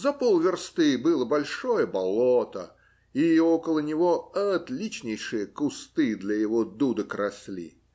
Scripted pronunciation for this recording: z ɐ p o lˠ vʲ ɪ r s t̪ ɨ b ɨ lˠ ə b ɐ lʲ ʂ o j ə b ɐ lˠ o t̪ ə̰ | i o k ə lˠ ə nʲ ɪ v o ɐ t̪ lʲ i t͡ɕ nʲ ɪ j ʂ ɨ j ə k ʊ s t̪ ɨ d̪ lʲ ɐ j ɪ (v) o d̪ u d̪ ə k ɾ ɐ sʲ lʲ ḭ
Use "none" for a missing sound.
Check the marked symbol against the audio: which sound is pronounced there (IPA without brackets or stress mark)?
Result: v